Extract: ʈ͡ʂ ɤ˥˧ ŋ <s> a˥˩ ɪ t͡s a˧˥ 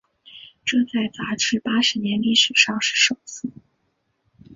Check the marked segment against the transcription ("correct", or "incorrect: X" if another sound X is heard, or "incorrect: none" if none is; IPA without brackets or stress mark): incorrect: t͡s